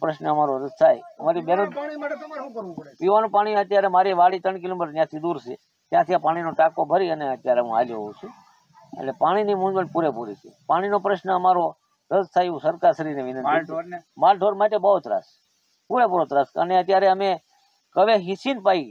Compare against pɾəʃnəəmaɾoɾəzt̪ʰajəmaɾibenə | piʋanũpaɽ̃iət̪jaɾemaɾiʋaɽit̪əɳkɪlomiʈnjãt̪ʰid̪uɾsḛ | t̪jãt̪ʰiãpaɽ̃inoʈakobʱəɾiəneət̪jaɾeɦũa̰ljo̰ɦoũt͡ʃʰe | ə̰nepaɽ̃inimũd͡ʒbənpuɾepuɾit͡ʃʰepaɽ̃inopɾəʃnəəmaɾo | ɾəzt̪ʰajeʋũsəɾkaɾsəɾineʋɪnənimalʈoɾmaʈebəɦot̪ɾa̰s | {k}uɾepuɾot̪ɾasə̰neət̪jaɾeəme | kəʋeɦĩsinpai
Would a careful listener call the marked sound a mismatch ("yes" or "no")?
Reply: yes